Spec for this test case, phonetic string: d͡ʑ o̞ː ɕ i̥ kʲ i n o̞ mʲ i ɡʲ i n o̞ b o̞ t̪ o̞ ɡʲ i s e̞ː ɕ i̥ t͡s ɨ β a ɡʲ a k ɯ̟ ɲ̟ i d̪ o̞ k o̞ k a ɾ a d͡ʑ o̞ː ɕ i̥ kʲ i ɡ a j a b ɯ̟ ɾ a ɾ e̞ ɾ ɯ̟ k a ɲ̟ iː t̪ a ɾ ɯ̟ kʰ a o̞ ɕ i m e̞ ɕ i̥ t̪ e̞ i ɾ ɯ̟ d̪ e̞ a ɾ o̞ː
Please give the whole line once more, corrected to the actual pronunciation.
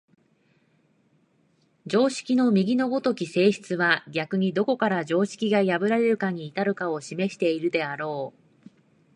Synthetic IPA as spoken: d͡ʑ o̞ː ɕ i̥ kʲ i n o̞ mʲ i ɡʲ i n o̞ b o̞ t̪ o̞ kʲ i s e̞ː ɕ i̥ t͡s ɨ β a ɡʲ a k ɯ̟ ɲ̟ i d̪ o̞ k o̞ k a ɾ a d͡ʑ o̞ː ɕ i̥ kʲ i ɡ a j a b ɯ̟ ɾ a ɾ e̞ ɾ ɯ̟ k a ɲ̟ iː t̪ a ɾ ɯ̟ k a o̞ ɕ i m e̞ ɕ i̥ t̪ e̞ i ɾ ɯ̟ d̪ e̞ a ɾ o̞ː